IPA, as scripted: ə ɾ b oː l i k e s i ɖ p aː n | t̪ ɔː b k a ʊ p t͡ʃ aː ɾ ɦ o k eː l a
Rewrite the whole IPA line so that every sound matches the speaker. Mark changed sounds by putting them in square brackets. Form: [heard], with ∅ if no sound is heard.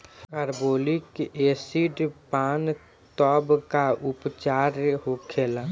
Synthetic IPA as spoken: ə ɾ b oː l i k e s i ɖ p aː n | t̪ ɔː b k a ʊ p t͡ʃ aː ɾ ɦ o [kʰ] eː l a